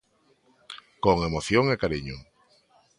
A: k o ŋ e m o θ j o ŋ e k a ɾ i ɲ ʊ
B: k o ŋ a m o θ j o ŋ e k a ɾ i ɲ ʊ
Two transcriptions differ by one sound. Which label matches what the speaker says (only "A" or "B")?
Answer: A